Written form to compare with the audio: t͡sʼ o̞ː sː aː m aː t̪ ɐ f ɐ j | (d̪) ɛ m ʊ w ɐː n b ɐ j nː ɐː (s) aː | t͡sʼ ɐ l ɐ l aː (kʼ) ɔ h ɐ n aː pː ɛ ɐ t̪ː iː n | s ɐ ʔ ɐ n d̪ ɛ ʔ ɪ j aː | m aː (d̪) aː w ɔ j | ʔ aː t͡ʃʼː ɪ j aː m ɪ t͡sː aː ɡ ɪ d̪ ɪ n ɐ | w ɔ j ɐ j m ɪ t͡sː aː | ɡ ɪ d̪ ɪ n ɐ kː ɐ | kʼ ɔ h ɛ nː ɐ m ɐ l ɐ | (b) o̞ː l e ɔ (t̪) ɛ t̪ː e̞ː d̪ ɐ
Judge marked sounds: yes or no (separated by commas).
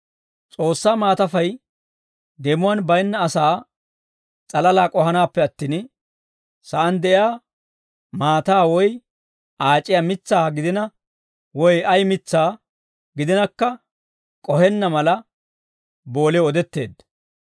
yes, yes, yes, no, yes, no